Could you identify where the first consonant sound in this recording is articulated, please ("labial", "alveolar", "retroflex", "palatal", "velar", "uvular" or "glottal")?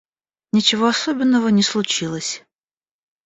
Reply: alveolar